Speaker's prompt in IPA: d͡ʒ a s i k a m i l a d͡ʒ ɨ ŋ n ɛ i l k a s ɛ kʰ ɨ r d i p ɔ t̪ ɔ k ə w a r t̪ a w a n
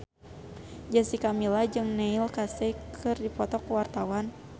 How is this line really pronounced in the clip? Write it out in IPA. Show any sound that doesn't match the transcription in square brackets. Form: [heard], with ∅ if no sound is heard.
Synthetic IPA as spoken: d͡ʒ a s i k a m i l a d͡ʒ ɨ ŋ n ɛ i l k a s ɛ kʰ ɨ r d i p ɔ t̪ ɔ k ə w a r t̪ a w a n